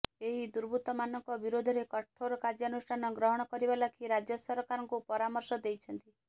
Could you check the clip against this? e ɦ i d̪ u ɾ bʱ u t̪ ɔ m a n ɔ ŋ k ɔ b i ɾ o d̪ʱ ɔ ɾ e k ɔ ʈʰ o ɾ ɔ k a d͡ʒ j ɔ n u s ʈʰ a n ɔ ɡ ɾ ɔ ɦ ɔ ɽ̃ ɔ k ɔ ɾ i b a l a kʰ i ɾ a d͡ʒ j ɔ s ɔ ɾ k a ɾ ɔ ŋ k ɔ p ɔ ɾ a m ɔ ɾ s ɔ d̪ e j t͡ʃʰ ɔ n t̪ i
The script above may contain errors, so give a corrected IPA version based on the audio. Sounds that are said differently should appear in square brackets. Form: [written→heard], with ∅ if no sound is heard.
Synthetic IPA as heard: e ɦ i d̪ u ɾ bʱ u t̪ ɔ m a n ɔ ŋ k ɔ b i ɾ o d̪ʱ ɔ ɾ e k ɔ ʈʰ o ɾ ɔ k a d͡ʒ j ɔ n u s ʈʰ a n ɔ ɡ ɾ ɔ ɦ ɔ ɽ̃ ɔ k ɔ ɾ i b a l a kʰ i ɾ a d͡ʒ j ɔ s ɔ ɾ k a ɾ ɔ ŋ k [ɔ→u] p ɔ ɾ a m ɔ ɾ s ɔ d̪ e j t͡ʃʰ ɔ n t̪ i